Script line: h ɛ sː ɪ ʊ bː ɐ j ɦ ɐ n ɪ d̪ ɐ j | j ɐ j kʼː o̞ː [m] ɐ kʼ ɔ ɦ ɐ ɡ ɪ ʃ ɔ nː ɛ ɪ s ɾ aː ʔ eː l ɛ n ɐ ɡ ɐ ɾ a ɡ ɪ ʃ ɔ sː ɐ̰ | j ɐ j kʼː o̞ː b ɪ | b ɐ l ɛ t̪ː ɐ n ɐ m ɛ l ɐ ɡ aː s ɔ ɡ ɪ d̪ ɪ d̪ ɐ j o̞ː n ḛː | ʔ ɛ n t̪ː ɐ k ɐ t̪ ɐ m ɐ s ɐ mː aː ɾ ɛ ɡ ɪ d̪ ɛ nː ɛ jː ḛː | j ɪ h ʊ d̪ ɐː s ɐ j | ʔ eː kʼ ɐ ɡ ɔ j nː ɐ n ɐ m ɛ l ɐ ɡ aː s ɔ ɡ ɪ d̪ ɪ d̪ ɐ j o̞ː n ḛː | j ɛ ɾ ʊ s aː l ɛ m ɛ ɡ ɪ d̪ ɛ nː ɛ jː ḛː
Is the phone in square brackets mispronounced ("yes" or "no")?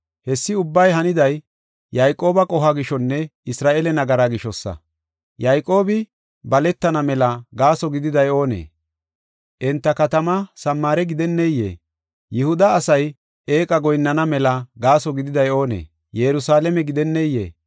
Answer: yes